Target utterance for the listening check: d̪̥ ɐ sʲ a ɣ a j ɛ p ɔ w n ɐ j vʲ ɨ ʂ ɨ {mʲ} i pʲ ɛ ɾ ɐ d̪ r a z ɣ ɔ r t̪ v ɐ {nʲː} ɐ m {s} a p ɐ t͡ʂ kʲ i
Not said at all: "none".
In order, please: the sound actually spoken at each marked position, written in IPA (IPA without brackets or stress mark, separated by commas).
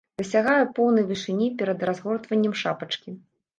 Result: nʲ, nʲː, ʂ